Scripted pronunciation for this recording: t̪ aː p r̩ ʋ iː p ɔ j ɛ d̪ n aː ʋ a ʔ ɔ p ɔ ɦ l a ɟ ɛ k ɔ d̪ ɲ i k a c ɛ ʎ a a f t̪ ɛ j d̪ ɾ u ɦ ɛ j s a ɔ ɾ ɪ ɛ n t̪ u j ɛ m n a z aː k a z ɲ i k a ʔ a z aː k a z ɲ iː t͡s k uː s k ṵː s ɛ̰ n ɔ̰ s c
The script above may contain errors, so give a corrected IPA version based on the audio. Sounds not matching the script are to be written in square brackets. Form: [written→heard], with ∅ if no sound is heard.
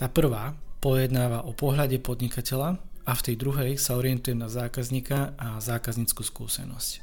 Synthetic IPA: t̪ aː p r̩ ʋ [iː→aː] p ɔ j ɛ d̪ n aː ʋ a ʔ ɔ p ɔ ɦ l a ɟ ɛ [k→p] ɔ d̪ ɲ i k a c ɛ ʎ a a f t̪ ɛ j d̪ ɾ u ɦ ɛ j s a ɔ ɾ ɪ ɛ n t̪ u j ɛ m n a z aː k a z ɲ i k a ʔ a z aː k a z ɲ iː t͡s k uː s k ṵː s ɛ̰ n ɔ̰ s c